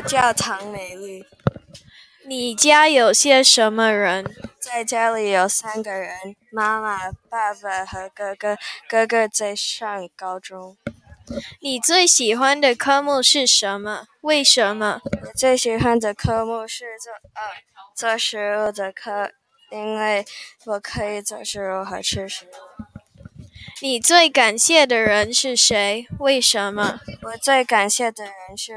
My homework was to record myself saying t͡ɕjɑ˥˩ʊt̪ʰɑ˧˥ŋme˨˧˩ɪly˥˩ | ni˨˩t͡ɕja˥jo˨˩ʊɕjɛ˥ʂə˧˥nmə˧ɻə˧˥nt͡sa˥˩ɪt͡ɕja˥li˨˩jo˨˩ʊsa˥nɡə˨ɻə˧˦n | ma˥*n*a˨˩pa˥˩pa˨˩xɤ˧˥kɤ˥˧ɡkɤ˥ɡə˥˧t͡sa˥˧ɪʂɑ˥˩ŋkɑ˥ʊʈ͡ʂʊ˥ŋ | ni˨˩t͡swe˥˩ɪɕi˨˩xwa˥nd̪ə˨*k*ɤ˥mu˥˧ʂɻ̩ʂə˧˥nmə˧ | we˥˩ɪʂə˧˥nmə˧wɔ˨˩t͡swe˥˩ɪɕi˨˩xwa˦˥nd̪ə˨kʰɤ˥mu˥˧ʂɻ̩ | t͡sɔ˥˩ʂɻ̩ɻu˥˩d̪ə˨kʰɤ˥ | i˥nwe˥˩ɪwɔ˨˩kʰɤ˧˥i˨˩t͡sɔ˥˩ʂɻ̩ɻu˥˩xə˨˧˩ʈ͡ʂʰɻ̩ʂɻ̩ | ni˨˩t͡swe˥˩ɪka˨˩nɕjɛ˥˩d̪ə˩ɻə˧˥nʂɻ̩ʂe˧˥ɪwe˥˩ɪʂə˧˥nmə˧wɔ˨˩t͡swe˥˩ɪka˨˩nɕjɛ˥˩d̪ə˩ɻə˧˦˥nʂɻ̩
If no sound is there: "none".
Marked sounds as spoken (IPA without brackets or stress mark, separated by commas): m, kʰ